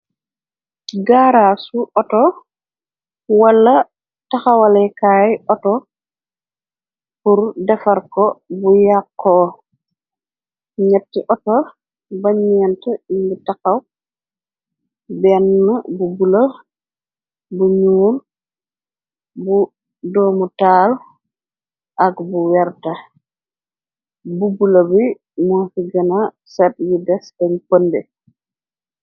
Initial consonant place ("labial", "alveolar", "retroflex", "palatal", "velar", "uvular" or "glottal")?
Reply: velar